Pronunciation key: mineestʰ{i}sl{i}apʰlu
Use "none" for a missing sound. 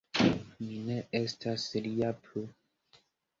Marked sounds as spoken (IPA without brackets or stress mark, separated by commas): a, i